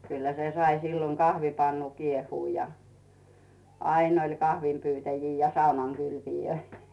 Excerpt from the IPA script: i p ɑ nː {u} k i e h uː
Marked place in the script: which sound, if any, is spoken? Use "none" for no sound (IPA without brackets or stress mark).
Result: u